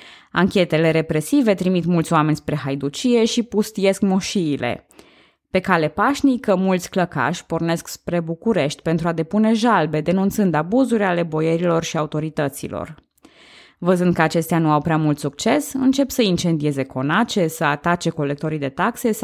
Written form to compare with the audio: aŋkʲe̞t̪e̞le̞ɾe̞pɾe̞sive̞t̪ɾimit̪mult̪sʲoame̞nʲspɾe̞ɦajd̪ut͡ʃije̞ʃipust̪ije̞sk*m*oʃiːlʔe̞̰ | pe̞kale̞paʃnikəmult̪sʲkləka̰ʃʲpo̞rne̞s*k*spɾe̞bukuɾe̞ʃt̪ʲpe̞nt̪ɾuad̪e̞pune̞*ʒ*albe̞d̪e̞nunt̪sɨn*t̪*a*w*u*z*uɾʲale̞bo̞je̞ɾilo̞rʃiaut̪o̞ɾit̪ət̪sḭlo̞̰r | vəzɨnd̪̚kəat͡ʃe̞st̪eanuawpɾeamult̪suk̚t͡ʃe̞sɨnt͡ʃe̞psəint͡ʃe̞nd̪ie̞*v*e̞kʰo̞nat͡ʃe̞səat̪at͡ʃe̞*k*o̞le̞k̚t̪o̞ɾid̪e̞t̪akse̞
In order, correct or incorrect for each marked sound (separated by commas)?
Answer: correct, correct, correct, incorrect, incorrect, correct, incorrect, correct